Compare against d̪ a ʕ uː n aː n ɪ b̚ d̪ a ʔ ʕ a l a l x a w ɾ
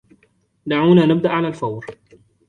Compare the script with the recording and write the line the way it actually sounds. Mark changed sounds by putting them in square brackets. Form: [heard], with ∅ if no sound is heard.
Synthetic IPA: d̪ a ʕ uː n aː n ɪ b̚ d̪ a ʔ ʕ a l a l [f] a w ɾ

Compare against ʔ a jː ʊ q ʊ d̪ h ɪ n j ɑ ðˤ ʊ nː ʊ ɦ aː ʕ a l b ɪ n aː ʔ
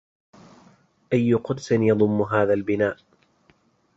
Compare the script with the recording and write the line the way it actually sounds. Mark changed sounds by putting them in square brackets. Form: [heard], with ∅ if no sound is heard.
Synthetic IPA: ʔ a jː ʊ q ʊ d̪ [s] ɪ n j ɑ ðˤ ʊ [mː] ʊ ɦ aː [ð] a l b ɪ n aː ʔ

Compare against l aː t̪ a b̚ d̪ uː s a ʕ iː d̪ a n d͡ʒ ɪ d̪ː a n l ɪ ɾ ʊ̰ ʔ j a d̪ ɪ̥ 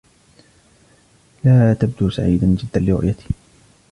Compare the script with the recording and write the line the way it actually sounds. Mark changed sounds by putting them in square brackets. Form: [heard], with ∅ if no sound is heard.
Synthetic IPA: l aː t̪ a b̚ d̪ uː s a ʕ iː d̪ a n d͡ʒ ɪ d̪ː a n l ɪ ɾ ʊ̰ ʔ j a [t̪] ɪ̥

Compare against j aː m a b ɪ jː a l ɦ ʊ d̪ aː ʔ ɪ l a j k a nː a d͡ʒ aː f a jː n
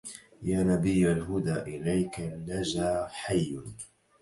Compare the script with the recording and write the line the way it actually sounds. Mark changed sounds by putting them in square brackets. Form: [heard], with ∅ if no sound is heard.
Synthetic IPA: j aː [n] a b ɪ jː a l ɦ ʊ d̪ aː ʔ ɪ l a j k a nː a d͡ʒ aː [ħ] a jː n

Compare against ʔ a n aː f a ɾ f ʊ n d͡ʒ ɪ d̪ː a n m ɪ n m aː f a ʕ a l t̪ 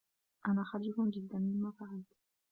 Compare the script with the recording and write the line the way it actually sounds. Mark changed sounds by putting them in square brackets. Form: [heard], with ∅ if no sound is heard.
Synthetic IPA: ʔ a n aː [x] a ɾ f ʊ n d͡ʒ ɪ d̪ː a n m ɪ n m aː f a ʕ a l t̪

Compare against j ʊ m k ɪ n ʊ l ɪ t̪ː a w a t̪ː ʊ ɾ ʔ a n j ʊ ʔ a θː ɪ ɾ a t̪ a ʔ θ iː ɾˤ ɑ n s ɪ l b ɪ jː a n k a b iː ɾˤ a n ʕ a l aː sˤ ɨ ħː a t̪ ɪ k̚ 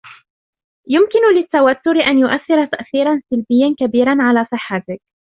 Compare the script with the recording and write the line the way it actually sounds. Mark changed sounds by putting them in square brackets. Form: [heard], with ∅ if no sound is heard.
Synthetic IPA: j ʊ m k ɪ n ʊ l ɪ t̪ː a w a t̪ː ʊ ɾ ʔ a n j ʊ ʔ a θː ɪ ɾ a t̪ a ʔ θ iː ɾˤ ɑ n s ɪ l b ɪ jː a n k a b iː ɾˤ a n ʕ a l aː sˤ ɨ ħː a t̪ ɪ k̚

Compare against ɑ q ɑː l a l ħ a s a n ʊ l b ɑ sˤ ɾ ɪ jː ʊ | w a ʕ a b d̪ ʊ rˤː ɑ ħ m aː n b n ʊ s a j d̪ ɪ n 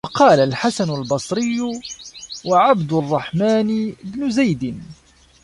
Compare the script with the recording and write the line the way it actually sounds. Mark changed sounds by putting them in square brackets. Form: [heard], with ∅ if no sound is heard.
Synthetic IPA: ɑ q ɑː l a l ħ a s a n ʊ l b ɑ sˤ ɾ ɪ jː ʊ | w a ʕ a b d̪ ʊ rˤː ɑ ħ m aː n b n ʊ [z] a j d̪ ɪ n

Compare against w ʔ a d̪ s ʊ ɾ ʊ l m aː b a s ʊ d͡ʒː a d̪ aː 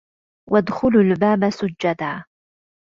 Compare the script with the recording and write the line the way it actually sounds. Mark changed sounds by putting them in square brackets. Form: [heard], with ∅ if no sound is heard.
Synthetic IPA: w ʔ a d̪ [x] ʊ [l] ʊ l [b] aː b a s ʊ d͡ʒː a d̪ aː

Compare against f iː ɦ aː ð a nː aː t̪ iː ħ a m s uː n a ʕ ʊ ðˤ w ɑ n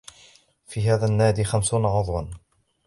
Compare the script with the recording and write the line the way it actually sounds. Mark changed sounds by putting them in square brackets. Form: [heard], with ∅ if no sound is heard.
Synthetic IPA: f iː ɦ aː ð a nː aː [d̪] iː [x] a m s uː n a ʕ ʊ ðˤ w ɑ n

